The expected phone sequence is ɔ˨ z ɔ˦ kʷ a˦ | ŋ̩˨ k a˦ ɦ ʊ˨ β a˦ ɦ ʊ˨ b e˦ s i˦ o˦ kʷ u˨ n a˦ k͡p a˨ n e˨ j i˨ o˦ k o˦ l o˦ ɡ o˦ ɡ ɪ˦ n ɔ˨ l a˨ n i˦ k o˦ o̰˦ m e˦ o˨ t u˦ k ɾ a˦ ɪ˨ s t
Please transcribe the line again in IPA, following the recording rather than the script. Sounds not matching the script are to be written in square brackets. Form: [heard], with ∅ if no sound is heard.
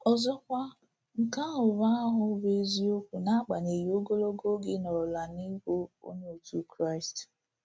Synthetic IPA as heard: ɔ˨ z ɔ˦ kʷ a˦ | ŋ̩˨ k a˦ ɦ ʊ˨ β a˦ ɦ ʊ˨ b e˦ [z] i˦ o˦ kʷ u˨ n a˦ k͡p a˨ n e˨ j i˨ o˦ [ɡ] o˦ l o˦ ɡ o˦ ɡ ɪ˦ n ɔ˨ l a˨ n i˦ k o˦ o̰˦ [ɲ] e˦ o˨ t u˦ k ɾ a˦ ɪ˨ s t